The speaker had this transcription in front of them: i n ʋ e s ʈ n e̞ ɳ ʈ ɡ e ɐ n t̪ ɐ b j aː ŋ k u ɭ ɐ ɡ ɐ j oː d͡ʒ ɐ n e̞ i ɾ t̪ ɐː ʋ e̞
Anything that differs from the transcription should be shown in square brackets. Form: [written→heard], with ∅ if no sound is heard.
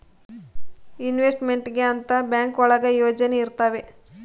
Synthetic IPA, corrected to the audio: i n ʋ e s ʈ [n→m] e̞ ɳ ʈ ɡ e ɐ n t̪ ɐ b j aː ŋ k [u→ɔ] ɭ ɐ ɡ ɐ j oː d͡ʒ ɐ n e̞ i ɾ t̪ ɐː ʋ e̞